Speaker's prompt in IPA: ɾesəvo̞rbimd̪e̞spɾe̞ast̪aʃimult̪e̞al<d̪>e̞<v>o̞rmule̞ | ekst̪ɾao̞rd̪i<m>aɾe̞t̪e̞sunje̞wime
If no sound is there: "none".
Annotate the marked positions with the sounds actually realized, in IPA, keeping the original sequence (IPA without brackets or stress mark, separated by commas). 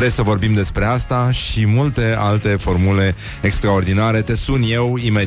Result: t̪, f, n